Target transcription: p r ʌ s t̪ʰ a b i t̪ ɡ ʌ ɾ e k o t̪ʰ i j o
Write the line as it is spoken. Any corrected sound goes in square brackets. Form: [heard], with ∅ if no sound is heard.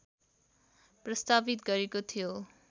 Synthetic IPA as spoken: p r ʌ s [t̪] a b i t̪ ɡ ʌ ɾ e k o t̪ʰ i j o